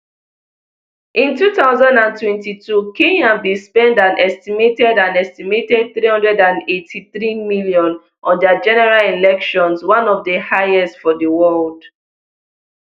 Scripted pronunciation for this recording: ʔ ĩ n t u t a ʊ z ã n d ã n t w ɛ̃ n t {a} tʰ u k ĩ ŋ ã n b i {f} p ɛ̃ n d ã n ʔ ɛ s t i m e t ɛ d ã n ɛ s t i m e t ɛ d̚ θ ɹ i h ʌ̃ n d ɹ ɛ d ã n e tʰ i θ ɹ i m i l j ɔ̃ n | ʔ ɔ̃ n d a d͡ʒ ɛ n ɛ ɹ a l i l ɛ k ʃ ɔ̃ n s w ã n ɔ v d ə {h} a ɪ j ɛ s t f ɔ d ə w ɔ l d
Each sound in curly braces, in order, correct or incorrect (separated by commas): incorrect, incorrect, correct